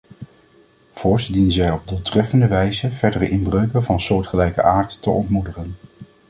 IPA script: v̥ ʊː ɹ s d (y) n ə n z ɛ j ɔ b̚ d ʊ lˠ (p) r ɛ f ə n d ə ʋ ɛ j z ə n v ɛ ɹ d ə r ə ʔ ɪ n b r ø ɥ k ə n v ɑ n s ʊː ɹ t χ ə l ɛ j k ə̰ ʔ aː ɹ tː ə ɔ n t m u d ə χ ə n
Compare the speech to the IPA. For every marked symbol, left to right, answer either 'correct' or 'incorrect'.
incorrect: i, incorrect: t

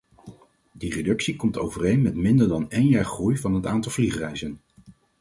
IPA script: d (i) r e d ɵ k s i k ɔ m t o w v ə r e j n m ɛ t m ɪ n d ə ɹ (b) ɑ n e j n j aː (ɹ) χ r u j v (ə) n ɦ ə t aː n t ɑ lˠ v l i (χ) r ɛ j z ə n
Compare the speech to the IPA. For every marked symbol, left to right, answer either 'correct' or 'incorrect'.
correct, incorrect: d, correct, incorrect: ɑ, correct

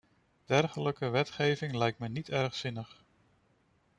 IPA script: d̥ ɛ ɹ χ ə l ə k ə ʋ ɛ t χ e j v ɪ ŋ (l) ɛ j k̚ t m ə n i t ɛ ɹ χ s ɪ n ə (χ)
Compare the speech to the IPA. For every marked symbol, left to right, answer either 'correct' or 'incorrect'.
correct, correct

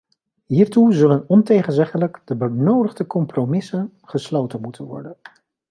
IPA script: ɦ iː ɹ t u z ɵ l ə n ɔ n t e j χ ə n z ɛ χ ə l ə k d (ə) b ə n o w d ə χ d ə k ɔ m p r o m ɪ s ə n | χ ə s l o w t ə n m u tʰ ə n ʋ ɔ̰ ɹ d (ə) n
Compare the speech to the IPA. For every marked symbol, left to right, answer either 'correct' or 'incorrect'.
correct, correct

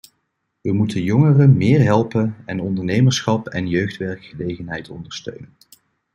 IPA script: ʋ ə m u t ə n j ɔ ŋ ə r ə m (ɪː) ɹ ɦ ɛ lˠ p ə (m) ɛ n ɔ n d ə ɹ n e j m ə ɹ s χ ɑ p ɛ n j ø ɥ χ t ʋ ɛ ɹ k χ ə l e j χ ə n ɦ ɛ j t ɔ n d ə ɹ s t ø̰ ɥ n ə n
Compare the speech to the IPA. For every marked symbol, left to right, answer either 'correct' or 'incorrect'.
correct, incorrect: n

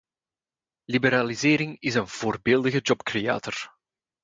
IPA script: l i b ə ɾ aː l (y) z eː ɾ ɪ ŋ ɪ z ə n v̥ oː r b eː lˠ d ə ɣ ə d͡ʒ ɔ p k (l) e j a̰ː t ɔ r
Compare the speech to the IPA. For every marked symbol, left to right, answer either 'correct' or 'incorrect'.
incorrect: i, incorrect: r

